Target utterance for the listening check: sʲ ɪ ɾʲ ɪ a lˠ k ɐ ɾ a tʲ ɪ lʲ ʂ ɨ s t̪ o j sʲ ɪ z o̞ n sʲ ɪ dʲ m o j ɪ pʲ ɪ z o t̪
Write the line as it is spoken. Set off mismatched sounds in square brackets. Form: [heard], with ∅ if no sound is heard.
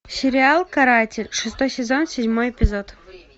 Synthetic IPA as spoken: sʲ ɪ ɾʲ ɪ a lˠ k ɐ ɾ a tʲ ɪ lʲ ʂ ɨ s t̪ o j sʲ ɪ z o̞ n sʲ ɪ dʲ m o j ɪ pʲ ɪ z o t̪